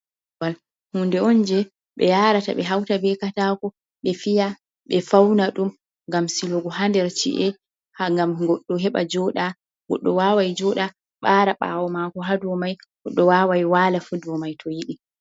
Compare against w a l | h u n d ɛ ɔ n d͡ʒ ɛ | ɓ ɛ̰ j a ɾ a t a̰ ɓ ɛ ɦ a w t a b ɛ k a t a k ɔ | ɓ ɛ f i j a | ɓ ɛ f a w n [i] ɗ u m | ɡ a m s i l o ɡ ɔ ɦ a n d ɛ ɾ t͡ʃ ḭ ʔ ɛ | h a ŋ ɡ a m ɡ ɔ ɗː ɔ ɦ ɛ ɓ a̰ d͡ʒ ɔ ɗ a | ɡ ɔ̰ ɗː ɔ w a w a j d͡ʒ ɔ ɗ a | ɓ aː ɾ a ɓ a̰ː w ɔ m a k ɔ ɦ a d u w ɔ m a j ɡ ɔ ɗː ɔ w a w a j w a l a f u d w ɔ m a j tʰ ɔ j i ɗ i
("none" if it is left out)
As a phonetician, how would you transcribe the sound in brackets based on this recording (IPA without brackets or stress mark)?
a